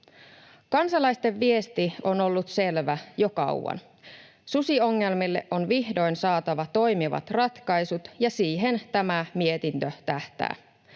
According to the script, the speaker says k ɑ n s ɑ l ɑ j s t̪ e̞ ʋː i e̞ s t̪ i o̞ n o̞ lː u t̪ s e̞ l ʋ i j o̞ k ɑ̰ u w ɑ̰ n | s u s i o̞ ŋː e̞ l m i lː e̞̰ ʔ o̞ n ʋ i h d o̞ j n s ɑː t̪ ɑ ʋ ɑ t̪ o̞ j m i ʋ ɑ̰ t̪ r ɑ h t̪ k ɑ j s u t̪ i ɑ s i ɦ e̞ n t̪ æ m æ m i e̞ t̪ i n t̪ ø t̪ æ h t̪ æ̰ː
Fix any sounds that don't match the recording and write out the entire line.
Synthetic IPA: k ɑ n s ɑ l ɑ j s t̪ e̞ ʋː i e̞ s t̪ i o̞ n o̞ lː u t̪ s e̞ l ʋ æ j o̞ k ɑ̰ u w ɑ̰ n | s u s i o̞ ŋː e̞ l m i lː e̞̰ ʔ o̞ n ʋ i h d o̞ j n s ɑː t̪ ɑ ʋ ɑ t̪ o̞ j m i ʋ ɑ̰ t̪ r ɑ t̪ k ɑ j s u t̪ j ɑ s iː ɦ e̞ n t̪ æ m æ m i e̞ t̪ i n t̪ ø t̪ æ h t̪ æ̰ː

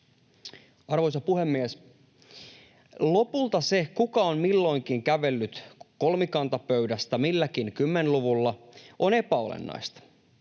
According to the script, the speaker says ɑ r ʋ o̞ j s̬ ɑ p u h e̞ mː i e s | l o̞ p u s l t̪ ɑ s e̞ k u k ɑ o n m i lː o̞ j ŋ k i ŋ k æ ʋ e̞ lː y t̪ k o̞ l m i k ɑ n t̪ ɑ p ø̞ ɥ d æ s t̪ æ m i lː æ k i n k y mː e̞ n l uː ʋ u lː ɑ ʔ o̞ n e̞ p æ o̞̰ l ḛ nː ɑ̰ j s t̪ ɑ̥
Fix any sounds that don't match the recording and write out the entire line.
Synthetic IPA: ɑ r ʋ o̞ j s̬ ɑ p u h e̞ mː i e s | l o̞ p u l t̪ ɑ s e̞ k u k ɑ o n m i lː o̞ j ŋ k i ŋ k æ ʋ e̞ lː y t̪ k o̞ l m i k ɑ n t̪ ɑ p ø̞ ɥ d æ s t̪ æ m i lː æ k i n k y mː e̞ n l u ʋ u lː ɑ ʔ o̞ n e̞ p æ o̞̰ l ḛ nː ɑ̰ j s t̪ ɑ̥

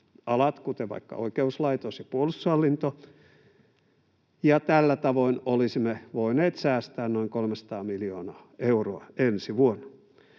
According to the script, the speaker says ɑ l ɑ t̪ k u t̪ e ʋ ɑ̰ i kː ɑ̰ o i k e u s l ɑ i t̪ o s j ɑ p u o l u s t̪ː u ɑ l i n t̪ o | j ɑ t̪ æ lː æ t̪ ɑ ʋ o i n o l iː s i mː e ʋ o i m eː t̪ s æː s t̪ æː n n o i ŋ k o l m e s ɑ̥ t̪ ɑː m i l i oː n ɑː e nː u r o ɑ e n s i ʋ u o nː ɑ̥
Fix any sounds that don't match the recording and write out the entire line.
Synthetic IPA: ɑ l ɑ t̪ k u t̪ e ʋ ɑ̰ i kː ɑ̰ o i k e u s l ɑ i t̪ o s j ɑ p u o l u s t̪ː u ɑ lː i n t̪ o | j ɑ t̪ æ lː æ t̪ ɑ ʋ o i n o l i s i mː e ʋ o i n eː t̪ s æː s t̪ æː n n o i ŋ k o l m e s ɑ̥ t̪ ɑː m i l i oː n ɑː e u r o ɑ e n s i ʋ u o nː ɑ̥

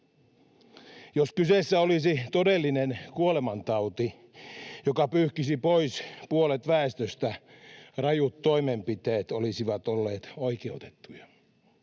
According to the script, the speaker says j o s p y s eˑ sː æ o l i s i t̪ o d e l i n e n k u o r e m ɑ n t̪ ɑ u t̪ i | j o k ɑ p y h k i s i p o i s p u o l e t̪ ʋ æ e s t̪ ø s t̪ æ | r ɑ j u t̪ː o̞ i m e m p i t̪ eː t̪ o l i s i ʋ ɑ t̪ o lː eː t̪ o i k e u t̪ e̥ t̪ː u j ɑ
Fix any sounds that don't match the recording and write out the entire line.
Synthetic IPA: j o s k y s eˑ sː æ o l i s i t̪ o d e lː i n e n k u o l e m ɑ n t̪ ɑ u t̪ i | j o k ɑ p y h k i s i p o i s p u o l e t̪ ʋ æ e s t̪ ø s t̪ æ | r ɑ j u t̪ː o̞ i m e m p i t̪ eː t̪ o l i s i ʋ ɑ t̪ o lː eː t̪ o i k e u t̪ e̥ t̪ː u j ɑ

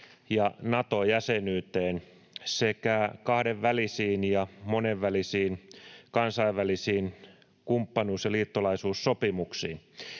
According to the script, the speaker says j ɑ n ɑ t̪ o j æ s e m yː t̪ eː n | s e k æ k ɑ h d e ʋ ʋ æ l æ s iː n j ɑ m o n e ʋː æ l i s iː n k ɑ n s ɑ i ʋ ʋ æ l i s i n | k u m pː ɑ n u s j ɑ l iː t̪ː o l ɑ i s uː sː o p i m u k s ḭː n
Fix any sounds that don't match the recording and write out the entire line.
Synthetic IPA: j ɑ n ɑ t̪ o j æ s e n yː t̪ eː n | s e k æ k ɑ h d e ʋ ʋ æ l i s iː n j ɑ m o n e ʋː æ l i s iː n k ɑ n s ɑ i ʋ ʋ æ l i s iː n | k u m pː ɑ n uː s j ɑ l iː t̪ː o l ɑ i s uː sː o p i m u k s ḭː n

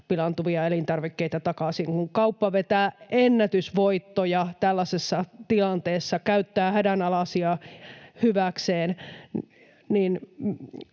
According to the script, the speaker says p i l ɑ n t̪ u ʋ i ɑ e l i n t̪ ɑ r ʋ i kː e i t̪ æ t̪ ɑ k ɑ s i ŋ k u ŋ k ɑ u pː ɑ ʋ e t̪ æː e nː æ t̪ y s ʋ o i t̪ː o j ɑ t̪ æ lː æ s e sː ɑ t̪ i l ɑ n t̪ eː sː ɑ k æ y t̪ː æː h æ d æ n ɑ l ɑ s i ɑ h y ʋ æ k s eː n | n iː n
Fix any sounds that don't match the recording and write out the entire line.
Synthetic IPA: p i l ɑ n t̪ u ʋ i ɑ e l i n t̪ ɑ r ʋ i kː e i t̪ æ t̪ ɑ k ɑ s i ŋ k u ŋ k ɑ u pː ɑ ʋ e t̪ æː e nː æ t̪ y s ʋ o i t̪ː o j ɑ t̪ æ lː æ s e sː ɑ t̪ i l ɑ n t̪ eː sː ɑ k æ y t̪ː æː h æ d æ n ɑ l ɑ s i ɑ h y ʋ æ k s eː n | n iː n

